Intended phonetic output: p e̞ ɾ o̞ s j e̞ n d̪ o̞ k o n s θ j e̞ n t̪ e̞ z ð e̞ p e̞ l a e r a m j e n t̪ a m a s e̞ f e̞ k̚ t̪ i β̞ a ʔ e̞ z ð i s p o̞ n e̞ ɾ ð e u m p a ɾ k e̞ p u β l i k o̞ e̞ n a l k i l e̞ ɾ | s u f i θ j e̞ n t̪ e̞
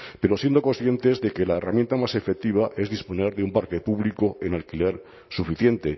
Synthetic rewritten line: p e̞ ɾ o̞ s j e̞ n d̪ o̞ k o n s θ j e̞ n t̪ e̞ z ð e̞ k e̞ l a e r a m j e n t̪ a m a s e̞ f e̞ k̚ t̪ i β̞ a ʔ e̞ z ð i s p o̞ n e̞ ɾ ð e u m p a ɾ k e̞ p u β l i k o̞ e̞ n a l k i l e̞ ɾ | s u f i θ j e̞ n t̪ e̞